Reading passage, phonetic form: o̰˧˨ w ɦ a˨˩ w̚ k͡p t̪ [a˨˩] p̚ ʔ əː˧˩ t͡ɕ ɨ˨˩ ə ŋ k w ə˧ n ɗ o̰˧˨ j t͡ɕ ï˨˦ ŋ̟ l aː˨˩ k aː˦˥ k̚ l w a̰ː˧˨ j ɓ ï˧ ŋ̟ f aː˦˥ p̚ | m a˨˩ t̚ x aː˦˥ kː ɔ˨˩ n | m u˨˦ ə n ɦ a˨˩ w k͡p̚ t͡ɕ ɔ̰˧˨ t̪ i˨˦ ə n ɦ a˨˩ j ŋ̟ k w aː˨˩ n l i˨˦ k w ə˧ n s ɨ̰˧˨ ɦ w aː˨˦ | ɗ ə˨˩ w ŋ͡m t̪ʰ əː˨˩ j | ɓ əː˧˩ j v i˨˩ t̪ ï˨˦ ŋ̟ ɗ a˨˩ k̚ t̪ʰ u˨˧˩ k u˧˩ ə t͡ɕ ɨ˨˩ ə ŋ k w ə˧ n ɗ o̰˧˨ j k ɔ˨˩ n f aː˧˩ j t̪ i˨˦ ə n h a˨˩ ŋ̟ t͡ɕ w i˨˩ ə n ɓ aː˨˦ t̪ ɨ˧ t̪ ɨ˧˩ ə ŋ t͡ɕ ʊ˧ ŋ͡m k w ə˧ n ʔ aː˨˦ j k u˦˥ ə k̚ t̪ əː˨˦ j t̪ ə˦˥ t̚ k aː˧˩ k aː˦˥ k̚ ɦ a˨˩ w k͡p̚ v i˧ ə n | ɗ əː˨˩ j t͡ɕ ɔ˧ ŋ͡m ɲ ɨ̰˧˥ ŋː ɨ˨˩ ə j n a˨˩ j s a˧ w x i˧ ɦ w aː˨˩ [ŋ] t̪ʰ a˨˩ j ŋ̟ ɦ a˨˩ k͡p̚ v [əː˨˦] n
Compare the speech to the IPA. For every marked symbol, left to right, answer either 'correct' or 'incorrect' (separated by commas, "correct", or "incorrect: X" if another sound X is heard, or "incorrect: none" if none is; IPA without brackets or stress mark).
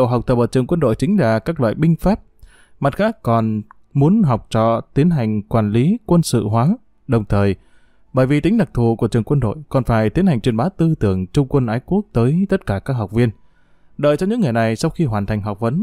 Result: incorrect: ə˨˩, incorrect: n, incorrect: ə˨˦